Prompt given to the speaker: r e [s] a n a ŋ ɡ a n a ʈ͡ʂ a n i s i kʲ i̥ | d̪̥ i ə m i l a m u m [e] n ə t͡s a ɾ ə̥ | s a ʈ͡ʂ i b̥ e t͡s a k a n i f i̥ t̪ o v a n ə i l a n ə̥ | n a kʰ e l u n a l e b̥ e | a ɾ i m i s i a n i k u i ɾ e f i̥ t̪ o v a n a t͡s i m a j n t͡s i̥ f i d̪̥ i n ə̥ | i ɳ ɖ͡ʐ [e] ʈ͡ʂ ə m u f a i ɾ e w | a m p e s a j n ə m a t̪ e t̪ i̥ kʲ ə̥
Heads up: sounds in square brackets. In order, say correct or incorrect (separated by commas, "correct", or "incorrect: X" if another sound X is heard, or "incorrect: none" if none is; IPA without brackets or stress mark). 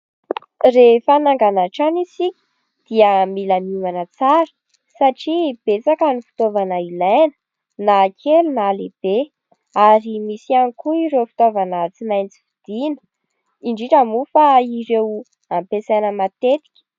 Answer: incorrect: f, incorrect: a, incorrect: i